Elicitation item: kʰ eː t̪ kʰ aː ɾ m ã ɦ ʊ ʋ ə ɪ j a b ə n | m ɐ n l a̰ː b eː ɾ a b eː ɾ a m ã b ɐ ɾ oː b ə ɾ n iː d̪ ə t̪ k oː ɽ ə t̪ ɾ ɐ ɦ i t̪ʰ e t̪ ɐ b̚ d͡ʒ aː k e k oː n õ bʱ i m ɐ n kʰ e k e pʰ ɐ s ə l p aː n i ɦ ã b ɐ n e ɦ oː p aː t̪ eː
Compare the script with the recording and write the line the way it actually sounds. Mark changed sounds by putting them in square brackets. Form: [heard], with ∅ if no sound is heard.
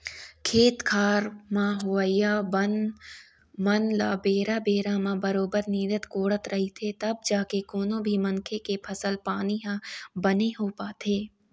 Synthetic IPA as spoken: kʰ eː t̪ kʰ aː ɾ m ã ɦ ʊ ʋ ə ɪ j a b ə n | m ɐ n l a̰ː b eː ɾ a b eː ɾ a m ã b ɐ ɾ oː b ə ɾ n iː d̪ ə t̪ k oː ɽ ə t̪ ɾ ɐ ɦ i t̪ʰ e t̪ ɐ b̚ d͡ʒ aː k e k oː n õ bʱ i m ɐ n kʰ e k e pʰ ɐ s ə l p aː n i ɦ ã b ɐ n e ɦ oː p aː t̪ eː

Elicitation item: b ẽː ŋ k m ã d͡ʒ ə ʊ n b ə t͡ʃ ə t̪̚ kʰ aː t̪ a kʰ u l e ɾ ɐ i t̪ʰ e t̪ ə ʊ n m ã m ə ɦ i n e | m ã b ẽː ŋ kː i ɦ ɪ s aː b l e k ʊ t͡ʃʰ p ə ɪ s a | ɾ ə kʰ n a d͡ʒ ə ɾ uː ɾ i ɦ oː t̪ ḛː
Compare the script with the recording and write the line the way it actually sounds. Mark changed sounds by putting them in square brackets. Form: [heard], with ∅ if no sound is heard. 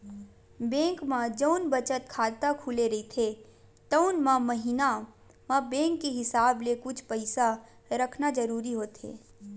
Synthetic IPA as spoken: b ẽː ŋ k m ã d͡ʒ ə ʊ n b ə t͡ʃ ə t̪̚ kʰ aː t̪ a kʰ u l e ɾ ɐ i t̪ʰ e t̪ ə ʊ n m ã m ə ɦ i n [a] | m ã b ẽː ŋ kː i ɦ ɪ s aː b l e k ʊ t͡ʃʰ p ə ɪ s a | ɾ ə kʰ n a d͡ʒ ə ɾ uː ɾ i ɦ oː t̪ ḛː

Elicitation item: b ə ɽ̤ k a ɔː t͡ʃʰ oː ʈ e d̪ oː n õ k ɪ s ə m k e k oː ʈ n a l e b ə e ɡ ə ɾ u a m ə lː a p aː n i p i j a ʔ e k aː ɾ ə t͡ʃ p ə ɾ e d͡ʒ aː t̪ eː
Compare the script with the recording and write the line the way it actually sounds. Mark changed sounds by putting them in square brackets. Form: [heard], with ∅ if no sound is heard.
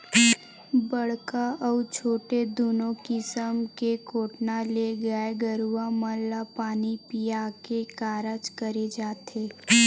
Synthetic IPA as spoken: b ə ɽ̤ k a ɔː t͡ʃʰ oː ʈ e d̪ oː n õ k ɪ s ə m k e k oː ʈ n a l e [ɡ] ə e ɡ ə ɾ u a m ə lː a p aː n i p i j a [k] e k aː ɾ ə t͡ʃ [k] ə ɾ e d͡ʒ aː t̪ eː

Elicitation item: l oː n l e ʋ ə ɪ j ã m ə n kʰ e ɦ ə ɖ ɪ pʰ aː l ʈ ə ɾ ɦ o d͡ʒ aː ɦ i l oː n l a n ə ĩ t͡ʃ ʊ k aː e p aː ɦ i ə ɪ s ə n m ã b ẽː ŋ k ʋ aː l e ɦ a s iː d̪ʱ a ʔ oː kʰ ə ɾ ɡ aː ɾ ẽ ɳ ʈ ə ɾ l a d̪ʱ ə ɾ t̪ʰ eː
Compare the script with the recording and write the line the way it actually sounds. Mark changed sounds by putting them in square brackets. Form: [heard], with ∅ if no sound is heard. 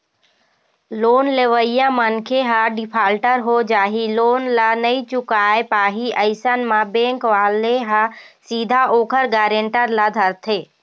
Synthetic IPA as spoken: l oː n l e ʋ ə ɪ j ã m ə n kʰ e ɦ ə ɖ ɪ pʰ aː l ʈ ə ɾ ɦ o d͡ʒ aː ɦ i l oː n l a n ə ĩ t͡ʃ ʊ k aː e p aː ɦ i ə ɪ s ə n m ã b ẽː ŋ k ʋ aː l e ɦ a s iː d̪ʱ a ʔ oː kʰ ə ɾ ɡ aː ɾ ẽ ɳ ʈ ə ɾ l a d̪ʱ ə ɾ t̪ʰ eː

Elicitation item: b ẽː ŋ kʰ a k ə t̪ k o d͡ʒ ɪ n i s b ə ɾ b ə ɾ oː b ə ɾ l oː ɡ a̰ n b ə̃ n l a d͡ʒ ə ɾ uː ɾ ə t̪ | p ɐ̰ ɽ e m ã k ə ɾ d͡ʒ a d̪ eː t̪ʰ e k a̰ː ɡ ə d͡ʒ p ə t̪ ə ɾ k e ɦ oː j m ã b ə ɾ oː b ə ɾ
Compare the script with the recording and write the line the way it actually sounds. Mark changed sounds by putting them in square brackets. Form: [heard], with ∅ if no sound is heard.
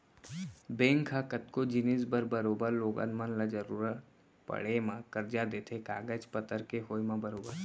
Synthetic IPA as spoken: b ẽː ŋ kʰ a k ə t̪ k o d͡ʒ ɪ n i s b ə ɾ b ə ɾ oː b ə ɾ l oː ɡ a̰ n [m] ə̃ n l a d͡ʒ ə ɾ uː ɾ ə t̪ | p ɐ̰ ɽ e m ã k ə ɾ d͡ʒ a d̪ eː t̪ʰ e k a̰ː ɡ ə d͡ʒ p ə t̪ ə ɾ k e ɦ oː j m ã b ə ɾ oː b ə ɾ

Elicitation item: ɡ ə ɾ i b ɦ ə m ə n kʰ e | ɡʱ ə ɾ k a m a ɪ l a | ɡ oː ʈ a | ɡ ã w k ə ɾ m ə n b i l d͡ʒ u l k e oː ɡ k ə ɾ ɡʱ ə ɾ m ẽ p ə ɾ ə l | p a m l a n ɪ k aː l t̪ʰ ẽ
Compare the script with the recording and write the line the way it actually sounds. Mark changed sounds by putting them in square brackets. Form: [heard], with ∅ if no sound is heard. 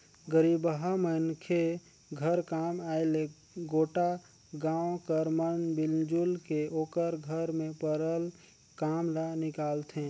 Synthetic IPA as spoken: ɡ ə ɾ i b ɦ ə m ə n kʰ e | ɡʱ ə ɾ k a m a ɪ l [e] | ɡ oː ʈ a | ɡ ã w k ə ɾ m ə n b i l d͡ʒ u l k e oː [∅] k ə ɾ ɡʱ ə ɾ m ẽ p ə ɾ ə l | [k] a m l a n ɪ k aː l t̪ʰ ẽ

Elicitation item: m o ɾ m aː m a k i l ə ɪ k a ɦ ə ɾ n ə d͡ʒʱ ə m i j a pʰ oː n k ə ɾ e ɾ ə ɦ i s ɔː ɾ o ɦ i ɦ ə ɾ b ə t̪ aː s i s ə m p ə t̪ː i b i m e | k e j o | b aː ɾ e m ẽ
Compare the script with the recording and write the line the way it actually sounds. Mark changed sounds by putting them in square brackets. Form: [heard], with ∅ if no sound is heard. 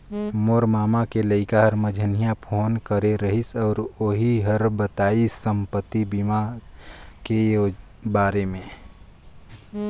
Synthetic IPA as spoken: m o ɾ m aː m a k [e] l ə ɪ k a ɦ ə ɾ [m] ə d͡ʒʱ ə [n] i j a pʰ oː n k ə ɾ e ɾ ə ɦ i s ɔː ɾ o ɦ i ɦ ə ɾ b ə t̪ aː [∅] i s ə m p ə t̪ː i b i m [a] | k e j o | b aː ɾ e m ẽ

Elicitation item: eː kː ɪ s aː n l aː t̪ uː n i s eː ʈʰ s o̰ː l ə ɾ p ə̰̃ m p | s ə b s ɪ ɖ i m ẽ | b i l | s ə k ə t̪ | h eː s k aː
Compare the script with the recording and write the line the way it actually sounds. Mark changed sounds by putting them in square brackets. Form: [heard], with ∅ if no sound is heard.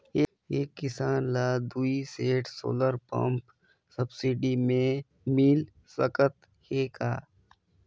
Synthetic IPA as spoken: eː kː ɪ s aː n l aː [d̪] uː [∅] i s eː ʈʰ s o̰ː l ə ɾ p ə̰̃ m p | s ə b s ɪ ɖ i m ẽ | [m] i l | s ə k ə t̪ | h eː [∅] k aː

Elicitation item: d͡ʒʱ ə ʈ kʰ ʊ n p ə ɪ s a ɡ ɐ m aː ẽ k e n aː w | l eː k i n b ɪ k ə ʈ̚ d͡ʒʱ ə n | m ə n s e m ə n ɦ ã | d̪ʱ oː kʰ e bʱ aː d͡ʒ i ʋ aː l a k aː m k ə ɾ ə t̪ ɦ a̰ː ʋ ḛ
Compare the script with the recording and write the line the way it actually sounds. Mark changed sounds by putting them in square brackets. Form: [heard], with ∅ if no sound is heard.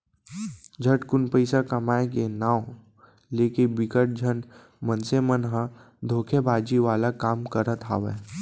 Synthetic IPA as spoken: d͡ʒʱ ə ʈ [k] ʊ n p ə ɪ s a [k] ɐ m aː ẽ k e n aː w | l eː k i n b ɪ k ə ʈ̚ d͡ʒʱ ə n | m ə n s e m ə n ɦ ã | d̪ʱ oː kʰ e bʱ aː d͡ʒ i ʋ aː l a k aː m k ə ɾ ə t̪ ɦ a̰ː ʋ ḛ

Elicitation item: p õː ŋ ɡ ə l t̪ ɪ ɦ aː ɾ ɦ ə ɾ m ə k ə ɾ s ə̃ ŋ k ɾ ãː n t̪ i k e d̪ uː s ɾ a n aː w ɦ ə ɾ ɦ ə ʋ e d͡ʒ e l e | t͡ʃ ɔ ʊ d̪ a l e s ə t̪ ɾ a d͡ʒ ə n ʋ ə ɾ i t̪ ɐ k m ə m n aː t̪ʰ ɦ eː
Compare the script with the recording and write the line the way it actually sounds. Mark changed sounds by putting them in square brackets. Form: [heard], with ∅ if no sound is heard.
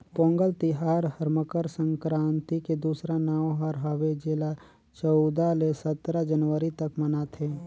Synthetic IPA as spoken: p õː ŋ ɡ ə l t̪ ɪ ɦ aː ɾ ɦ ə ɾ m ə k ə ɾ s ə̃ ŋ k ɾ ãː n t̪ i k e d̪ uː s ɾ a n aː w ɦ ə ɾ ɦ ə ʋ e d͡ʒ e l [a] | t͡ʃ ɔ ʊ d̪ a l e s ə t̪ ɾ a d͡ʒ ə n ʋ ə ɾ i t̪ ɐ k m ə [∅] n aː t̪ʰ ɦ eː

